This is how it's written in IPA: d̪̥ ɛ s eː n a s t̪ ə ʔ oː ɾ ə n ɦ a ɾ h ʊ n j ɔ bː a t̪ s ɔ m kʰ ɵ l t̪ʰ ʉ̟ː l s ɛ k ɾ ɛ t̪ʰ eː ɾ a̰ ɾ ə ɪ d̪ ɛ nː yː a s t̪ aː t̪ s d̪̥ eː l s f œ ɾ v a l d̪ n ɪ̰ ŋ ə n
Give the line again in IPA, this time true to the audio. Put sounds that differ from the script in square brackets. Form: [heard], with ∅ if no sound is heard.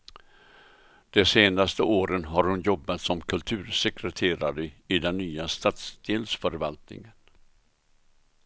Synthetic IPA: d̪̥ ɛ s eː n a s t̪ ə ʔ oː ɾ ə n ɦ a ɾ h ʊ n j ɔ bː a t̪ s ɔ m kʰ ɵ l t̪ʰ ʉ̟ː [ɾ] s ɛ k ɾ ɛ t̪ʰ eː ɾ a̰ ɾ ə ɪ d̪ ɛ nː yː a s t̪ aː t̪ s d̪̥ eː l s f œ ɾ v a l [t̪] n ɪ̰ ŋ ə n